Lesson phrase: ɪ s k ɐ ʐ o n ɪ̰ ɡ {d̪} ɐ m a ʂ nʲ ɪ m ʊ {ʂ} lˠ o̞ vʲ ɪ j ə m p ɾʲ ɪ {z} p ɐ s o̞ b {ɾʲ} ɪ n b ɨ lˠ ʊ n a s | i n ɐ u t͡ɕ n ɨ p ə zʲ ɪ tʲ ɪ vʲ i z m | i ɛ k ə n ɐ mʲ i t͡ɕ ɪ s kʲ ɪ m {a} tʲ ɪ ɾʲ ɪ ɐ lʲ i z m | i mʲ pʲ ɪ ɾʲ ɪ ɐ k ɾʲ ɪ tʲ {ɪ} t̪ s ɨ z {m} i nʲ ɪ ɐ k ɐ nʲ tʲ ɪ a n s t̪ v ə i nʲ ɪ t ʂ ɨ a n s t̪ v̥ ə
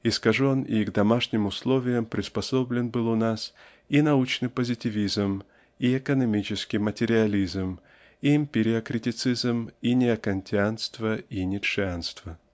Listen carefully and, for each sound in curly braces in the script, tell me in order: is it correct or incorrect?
correct, incorrect: s, incorrect: s, incorrect: lʲ, incorrect: ə, correct, correct

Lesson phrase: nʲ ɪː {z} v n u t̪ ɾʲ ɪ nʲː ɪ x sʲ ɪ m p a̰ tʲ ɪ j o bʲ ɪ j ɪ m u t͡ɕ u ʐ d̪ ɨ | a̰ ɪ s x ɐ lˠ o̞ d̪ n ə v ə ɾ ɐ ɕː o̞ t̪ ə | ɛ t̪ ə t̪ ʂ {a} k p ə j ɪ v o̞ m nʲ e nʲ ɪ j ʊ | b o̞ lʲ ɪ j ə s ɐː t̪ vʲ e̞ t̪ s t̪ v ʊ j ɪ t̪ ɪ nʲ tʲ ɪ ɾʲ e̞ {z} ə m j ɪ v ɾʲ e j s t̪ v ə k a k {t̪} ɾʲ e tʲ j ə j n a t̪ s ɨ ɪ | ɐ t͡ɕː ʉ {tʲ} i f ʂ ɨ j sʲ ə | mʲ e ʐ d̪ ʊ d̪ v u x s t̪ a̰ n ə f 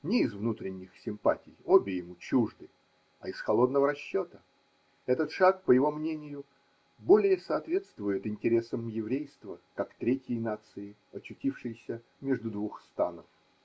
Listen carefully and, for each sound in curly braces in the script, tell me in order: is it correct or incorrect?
correct, correct, incorrect: s, correct, correct

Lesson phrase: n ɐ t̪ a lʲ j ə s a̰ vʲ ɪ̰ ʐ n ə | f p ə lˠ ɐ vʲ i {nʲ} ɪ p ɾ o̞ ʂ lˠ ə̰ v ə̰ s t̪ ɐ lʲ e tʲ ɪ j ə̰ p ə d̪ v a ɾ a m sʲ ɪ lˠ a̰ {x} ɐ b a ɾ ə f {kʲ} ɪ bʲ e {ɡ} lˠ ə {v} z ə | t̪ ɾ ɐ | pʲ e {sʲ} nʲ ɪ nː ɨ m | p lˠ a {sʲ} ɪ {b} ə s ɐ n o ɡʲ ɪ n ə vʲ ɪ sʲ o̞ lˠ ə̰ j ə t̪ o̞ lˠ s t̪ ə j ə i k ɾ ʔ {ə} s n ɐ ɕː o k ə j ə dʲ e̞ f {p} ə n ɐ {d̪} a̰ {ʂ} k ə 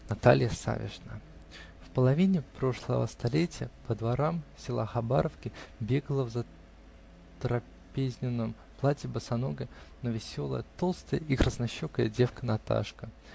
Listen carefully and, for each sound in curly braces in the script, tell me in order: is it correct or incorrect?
correct, correct, correct, correct, correct, incorrect: zʲ, incorrect: tʲ, correct, correct, incorrect: k, incorrect: t̪, correct

